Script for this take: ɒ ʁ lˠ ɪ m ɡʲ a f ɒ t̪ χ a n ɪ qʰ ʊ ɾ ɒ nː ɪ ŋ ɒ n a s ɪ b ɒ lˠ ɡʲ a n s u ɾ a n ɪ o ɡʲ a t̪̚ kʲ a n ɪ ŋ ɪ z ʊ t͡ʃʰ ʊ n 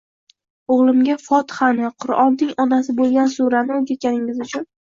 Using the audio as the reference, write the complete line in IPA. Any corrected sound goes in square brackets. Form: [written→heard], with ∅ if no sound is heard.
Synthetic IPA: [ɒ→o] ʁ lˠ ɪ m ɡʲ a f ɒ t̪ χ a n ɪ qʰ ʊ ɾ ɒ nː ɪ ŋ ɒ n a s ɪ b [ɒ→o] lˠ ɡʲ a n s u ɾ a n ɪ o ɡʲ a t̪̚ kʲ a n ɪ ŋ ɪ z ʊ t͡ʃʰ ʊ n